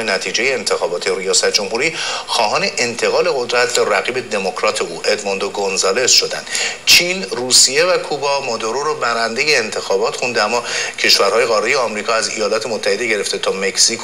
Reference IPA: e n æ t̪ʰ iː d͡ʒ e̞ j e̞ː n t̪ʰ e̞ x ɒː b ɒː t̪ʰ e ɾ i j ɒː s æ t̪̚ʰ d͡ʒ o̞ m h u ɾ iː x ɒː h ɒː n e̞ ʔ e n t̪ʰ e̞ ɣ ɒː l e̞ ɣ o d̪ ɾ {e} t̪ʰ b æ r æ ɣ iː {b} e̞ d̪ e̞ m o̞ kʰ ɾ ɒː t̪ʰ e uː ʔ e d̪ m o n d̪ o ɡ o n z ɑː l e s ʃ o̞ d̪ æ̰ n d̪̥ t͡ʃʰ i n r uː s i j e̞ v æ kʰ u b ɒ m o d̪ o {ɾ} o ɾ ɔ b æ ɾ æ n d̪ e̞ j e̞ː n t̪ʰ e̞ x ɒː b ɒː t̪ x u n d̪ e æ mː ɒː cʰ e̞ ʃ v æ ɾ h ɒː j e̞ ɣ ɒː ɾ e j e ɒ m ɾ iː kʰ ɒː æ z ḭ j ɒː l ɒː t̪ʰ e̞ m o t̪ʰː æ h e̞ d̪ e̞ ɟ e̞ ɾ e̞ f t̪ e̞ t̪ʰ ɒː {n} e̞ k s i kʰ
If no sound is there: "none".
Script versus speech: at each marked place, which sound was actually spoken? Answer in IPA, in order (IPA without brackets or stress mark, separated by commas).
æ, b, ɾ, m